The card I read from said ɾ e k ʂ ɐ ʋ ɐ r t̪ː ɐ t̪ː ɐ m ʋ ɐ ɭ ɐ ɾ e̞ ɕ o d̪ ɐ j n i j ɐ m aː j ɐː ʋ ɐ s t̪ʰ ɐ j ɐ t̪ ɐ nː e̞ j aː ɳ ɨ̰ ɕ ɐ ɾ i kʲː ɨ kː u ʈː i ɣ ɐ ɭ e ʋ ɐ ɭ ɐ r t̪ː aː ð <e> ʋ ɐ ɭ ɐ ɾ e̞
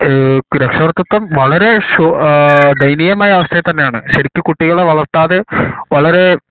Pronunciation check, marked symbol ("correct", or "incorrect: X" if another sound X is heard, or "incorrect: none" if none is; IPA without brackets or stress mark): correct